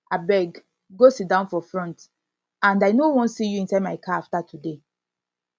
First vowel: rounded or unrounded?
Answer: unrounded